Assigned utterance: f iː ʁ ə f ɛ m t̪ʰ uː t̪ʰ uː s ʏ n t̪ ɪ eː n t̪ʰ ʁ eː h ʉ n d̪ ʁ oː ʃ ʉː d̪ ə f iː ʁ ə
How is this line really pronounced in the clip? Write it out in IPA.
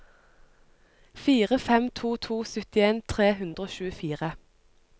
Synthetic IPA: f iː ʁ ə f ɛ m t̪ʰ uː t̪ʰ uː s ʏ t̪ ɪ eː n t̪ʰ ʁ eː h ʉ n d̪ ʁ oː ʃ ʉː ə f iː ʁ ə